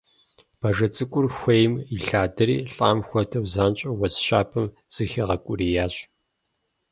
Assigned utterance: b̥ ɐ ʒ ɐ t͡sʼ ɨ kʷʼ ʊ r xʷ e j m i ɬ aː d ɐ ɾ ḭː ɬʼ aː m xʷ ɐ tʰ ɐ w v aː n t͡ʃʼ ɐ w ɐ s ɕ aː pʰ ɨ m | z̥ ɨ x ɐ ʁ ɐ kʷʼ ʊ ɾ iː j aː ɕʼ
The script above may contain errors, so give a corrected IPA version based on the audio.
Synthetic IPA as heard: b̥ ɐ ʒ ɐ t͡sʼ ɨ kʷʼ ʊ r xʷ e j m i ɬ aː d ɐ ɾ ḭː ɬʼ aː m xʷ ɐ tʰ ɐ w z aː n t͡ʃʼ ɐ w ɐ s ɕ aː pʰ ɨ m | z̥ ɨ x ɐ ʁ ɐ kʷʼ ʊ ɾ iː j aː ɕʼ